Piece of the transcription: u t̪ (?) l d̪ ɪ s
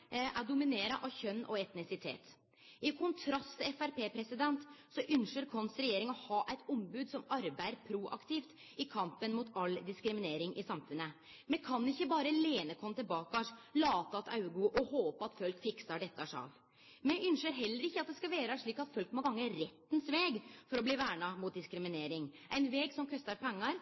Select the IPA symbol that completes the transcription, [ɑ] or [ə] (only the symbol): ɑ